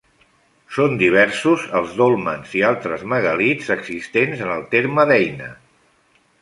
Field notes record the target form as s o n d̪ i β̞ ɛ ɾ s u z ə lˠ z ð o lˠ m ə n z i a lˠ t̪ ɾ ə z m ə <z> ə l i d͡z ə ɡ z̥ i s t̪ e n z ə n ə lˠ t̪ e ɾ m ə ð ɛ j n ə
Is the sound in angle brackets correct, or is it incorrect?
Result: incorrect